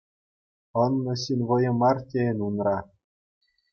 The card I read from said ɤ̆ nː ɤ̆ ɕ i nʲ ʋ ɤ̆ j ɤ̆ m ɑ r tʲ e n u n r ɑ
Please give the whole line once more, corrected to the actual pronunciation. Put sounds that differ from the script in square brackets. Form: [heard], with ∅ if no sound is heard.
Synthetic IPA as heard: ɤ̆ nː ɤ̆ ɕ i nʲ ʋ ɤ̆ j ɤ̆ m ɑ r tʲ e n u n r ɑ